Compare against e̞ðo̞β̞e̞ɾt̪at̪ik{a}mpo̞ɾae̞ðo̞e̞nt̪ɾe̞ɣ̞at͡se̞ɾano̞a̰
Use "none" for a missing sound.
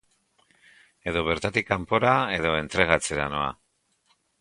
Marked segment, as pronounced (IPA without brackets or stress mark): a